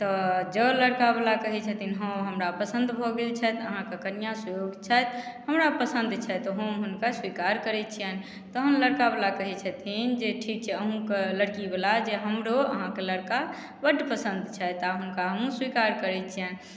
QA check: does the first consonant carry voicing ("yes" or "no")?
no